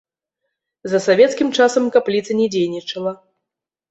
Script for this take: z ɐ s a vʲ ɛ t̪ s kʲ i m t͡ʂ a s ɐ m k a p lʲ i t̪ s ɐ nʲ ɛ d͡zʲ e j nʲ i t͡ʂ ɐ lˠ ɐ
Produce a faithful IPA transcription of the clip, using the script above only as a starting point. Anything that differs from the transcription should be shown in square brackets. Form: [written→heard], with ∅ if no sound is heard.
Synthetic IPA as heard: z ɐ s a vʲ ɛ t̪ s kʲ i m t͡ʂ a s ɐ m k a p lʲ i t̪ s ɐ nʲ ɛ d͡zʲ e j nʲ i t͡ʂ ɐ lˠ ɐ